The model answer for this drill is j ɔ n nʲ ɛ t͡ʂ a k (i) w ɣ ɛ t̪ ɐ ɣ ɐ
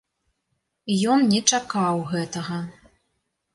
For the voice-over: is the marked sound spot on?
no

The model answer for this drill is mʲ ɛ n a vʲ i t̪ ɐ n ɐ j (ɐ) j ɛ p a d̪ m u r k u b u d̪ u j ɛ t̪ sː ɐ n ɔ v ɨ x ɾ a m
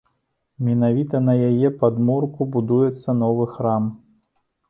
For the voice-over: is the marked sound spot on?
no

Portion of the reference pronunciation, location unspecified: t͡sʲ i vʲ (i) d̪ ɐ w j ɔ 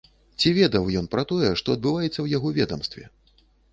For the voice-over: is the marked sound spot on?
no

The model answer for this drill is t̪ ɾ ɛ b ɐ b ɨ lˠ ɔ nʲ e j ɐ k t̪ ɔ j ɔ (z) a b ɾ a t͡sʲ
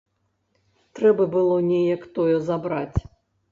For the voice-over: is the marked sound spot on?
yes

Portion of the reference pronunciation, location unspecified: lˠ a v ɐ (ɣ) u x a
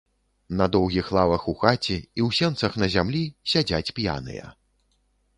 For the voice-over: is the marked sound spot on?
no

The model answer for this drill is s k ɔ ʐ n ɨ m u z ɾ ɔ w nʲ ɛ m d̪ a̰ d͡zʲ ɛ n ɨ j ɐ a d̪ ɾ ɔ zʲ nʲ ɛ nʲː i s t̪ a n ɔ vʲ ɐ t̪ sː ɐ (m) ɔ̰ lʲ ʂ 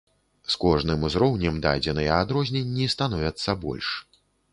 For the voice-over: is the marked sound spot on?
no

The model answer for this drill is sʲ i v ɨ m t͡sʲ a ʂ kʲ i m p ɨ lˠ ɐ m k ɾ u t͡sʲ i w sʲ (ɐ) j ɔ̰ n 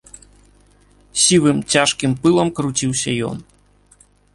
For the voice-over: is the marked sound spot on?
yes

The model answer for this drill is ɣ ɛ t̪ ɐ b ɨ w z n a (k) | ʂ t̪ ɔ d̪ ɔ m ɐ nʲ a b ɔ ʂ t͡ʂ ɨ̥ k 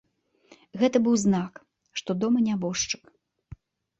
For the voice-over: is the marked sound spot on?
yes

